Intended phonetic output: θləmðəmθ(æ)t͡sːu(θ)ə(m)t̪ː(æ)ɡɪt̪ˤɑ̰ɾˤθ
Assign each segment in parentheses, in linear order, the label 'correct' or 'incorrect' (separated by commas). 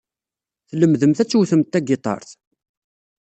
correct, correct, correct, correct